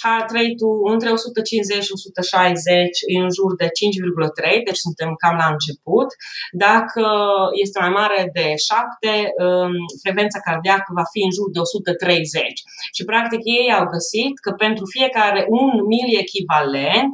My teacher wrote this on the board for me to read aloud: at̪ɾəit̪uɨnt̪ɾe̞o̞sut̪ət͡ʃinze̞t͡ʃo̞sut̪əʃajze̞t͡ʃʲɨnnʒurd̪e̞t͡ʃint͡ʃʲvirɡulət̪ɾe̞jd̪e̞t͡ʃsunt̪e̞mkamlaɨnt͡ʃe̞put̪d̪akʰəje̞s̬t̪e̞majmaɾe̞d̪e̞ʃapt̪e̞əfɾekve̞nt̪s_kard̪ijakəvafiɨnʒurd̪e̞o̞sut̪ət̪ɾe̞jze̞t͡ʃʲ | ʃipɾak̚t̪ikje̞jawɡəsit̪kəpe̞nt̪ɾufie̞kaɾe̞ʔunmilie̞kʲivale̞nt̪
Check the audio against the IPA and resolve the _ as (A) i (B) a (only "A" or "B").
B